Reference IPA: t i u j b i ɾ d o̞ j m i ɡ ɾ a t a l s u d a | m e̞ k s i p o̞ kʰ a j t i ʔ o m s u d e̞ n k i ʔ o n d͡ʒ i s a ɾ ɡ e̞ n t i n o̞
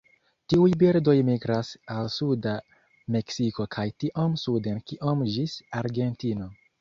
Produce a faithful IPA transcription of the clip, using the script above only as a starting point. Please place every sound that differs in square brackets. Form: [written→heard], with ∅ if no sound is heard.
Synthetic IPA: t i u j b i ɾ d o̞ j m i ɡ ɾ a [t→s] a l s u d a | m e̞ k s i [p→k] o̞ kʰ a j t i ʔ o m s u d e̞ n k i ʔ o [n→m] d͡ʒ i s a ɾ ɡ e̞ n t i n o̞